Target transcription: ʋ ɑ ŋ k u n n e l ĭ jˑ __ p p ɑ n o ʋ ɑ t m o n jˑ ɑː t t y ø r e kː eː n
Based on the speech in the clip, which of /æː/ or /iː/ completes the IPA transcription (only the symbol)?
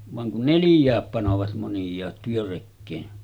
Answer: æː